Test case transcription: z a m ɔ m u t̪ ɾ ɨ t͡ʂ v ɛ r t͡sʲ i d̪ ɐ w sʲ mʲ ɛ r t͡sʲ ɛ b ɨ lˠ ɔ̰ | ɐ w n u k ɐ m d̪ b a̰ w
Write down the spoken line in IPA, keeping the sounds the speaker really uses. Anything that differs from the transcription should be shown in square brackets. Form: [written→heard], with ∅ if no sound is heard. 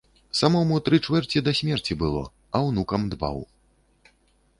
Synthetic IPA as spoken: [z→s] a m ɔ m u t̪ ɾ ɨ t͡ʂ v ɛ r t͡sʲ i d̪ ɐ [w→∅] sʲ mʲ ɛ r t͡sʲ [ɛ→i] b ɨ lˠ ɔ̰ | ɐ w n u k ɐ m d̪ b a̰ w